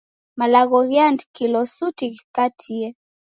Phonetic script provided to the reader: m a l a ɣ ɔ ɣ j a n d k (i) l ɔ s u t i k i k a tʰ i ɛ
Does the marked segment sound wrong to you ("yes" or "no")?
no